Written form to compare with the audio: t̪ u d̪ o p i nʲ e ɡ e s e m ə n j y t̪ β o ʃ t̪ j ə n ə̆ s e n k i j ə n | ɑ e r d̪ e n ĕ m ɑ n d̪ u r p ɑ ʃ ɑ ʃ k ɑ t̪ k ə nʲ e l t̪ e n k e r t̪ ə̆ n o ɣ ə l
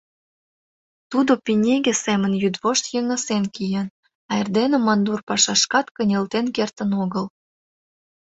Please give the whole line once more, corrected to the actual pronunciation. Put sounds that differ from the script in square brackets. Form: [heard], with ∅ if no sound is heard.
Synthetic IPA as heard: t̪ u d̪ o p i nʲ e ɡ e s e m ə n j y [d̪] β o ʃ t̪ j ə [ŋ] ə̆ s e n k i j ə n | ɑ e r d̪ e n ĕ m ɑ n d̪ u r p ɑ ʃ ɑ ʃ k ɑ t̪ k ə nʲ e l t̪ e n k e r t̪ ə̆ n o ɣ ə l